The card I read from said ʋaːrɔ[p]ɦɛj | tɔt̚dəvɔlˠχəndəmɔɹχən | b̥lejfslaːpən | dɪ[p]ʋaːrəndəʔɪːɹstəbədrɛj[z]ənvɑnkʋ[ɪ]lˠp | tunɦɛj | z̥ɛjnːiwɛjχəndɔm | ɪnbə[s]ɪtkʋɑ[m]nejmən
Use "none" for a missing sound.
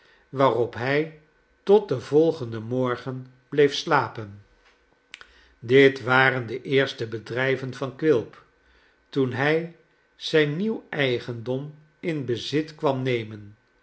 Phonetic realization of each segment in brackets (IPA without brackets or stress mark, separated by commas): p, t, v, ɪ, z, m